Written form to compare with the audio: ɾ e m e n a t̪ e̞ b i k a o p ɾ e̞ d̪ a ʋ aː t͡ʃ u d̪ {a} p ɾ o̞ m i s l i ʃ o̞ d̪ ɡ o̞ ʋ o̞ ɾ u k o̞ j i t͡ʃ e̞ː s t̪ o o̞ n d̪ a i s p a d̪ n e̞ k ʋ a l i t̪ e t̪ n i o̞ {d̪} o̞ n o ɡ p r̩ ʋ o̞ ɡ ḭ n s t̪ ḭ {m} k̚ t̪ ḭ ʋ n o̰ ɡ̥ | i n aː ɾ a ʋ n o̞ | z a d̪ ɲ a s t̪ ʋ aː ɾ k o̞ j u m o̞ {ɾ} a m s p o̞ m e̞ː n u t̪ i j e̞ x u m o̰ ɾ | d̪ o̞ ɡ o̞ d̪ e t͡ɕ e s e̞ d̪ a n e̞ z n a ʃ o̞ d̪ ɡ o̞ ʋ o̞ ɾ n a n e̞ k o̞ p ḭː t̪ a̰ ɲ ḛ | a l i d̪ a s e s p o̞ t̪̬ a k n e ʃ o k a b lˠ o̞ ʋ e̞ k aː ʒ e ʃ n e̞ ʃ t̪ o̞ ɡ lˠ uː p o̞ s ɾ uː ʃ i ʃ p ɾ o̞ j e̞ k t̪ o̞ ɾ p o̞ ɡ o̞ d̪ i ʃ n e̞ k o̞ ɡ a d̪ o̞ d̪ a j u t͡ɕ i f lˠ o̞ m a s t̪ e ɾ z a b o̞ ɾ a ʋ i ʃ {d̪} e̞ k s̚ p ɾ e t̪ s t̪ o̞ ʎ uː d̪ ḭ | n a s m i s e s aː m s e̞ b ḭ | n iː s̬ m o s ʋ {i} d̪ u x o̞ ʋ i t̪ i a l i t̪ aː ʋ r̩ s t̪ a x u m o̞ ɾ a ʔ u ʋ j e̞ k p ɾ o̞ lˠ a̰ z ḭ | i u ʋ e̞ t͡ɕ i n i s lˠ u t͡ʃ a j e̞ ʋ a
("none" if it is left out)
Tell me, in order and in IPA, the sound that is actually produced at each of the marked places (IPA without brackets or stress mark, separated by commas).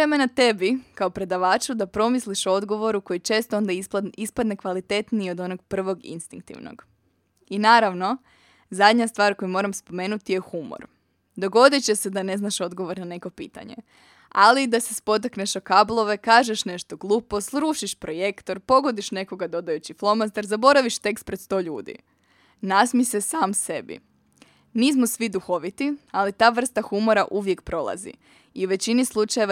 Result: a, d̪, ŋ, ɾ, t̪, i